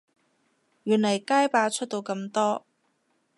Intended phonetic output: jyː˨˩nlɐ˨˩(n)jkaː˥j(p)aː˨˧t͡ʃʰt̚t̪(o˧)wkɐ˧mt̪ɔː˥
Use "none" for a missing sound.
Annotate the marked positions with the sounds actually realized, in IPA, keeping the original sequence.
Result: none, p, o˧

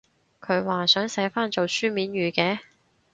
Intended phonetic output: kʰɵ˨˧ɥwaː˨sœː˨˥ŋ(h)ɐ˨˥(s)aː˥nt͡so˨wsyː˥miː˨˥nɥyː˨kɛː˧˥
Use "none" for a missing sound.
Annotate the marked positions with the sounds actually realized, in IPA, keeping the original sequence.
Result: s, f

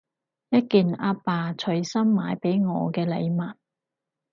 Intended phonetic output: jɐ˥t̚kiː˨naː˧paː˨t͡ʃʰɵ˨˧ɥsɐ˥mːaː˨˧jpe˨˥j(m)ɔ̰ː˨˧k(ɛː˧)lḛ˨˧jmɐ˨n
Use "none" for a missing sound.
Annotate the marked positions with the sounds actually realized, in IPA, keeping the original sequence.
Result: ŋ, ɛː˧

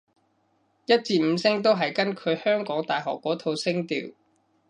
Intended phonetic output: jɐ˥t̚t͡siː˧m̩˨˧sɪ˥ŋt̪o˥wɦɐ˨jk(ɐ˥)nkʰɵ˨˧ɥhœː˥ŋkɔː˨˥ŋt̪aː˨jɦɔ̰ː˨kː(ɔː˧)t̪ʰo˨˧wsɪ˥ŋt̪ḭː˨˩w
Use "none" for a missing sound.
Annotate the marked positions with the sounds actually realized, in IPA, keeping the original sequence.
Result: ɐ˥, ɔː˨˥

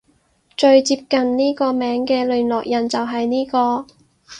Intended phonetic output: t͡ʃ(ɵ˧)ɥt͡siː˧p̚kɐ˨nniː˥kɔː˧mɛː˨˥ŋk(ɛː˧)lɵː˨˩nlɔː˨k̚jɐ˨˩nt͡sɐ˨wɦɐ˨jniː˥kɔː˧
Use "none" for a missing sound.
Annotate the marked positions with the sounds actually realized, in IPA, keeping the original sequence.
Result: ɵ˧, ɛː˧

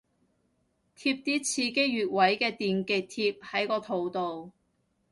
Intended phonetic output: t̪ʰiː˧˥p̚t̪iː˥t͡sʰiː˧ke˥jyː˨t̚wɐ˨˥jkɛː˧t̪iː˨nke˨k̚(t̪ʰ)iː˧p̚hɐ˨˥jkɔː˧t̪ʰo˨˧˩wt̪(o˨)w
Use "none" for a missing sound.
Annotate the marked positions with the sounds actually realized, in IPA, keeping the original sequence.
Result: t̪ʰ, o˨

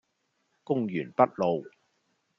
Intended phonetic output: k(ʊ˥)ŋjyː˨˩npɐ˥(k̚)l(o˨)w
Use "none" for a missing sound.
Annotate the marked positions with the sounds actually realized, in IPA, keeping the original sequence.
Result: ʊ˥, t̚, o˨

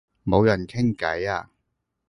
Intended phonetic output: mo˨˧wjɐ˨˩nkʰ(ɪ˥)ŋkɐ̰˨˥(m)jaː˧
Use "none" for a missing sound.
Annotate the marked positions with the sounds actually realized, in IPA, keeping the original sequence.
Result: ɪ˥, none

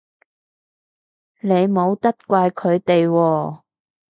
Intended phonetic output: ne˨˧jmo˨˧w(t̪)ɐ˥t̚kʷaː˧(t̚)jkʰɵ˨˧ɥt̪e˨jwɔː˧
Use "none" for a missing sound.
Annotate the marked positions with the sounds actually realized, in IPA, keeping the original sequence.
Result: t̪, none

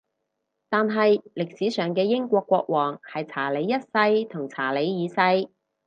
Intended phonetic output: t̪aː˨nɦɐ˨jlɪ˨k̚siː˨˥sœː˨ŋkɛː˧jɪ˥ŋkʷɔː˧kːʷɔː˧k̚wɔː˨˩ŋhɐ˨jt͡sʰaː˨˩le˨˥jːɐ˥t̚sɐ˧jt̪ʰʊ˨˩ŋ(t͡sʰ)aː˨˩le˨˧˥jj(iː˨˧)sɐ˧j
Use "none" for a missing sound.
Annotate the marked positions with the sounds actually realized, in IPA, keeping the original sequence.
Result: t͡sʰ, iː˨˧

